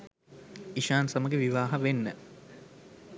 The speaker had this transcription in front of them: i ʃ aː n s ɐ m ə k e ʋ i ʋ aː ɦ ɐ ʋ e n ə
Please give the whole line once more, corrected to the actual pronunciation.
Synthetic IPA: i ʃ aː n s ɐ m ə ɡ e ʋ i ʋ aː ɦ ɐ ʋ e nː ə